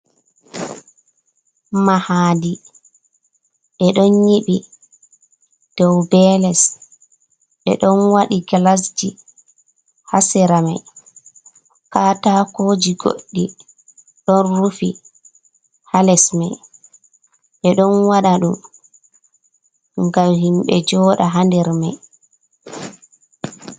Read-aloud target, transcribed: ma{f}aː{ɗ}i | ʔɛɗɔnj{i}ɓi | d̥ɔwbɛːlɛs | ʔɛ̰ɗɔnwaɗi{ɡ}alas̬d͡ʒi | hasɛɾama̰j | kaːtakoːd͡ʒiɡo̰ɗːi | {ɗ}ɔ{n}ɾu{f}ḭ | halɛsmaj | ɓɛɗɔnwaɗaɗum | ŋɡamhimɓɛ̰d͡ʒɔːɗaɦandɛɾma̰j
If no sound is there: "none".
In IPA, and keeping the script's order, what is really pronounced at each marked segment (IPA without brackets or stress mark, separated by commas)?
h, d, i, ɡ, ɗ, n, f